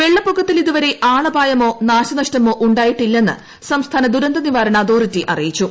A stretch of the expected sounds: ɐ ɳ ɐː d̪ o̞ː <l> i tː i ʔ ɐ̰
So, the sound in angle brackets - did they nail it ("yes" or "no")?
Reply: no